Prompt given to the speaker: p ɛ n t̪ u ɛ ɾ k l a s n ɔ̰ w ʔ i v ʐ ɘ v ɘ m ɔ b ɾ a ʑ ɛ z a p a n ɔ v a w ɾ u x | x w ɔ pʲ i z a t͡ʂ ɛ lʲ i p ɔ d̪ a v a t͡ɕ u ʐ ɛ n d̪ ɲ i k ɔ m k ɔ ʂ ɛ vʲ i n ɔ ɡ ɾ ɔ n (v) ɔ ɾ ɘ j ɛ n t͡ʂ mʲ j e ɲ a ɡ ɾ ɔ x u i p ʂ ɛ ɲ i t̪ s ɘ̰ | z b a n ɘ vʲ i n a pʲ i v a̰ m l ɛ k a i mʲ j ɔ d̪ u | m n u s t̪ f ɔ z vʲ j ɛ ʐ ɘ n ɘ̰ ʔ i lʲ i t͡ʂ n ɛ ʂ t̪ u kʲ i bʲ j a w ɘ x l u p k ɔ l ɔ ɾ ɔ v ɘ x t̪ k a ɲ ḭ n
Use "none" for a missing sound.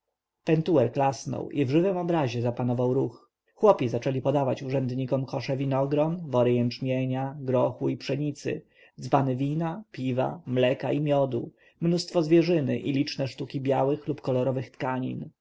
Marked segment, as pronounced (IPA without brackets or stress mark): v